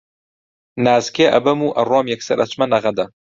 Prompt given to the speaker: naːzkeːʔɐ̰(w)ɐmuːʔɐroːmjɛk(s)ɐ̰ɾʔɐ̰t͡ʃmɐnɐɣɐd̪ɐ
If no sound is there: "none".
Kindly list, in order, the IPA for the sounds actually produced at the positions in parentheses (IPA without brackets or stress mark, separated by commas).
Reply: b, s